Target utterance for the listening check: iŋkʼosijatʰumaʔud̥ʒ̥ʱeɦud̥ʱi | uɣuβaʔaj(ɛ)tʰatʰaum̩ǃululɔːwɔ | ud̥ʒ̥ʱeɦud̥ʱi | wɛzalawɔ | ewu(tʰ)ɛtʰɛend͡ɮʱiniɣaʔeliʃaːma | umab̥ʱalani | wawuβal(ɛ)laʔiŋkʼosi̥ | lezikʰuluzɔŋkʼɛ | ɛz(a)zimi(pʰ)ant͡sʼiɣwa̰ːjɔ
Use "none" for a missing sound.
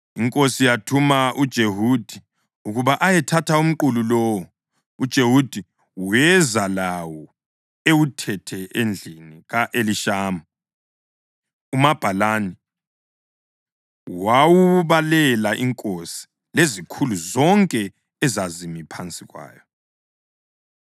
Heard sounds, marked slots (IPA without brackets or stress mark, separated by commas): ɛ, tʰ, ɛ, a, pʰ